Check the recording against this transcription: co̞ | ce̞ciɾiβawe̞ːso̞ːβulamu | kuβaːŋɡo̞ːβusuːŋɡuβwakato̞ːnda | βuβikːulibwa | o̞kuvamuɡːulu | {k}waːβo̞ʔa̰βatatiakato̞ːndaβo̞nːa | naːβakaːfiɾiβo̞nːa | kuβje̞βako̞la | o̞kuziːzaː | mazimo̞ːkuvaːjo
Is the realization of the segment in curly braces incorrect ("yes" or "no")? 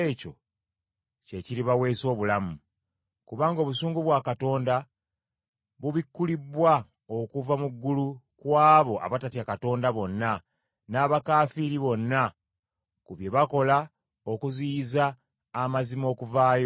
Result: no